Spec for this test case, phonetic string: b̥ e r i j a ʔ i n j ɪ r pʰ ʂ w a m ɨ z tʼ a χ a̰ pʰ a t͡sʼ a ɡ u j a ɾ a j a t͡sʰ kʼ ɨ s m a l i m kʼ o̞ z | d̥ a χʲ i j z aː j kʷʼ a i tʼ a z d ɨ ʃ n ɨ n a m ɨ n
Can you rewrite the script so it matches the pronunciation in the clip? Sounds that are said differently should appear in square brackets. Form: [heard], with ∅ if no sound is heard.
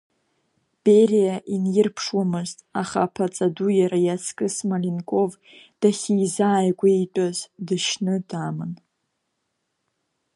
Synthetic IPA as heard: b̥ e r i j a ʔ i n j ɪ r pʰ ʂ w a m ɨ z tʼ a χ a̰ pʰ a t͡sʼ a [d] u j a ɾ a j a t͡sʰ kʼ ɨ s m a l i [n] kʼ o̞ [v] | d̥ a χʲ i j z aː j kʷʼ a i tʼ a z d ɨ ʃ n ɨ [d] a m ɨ n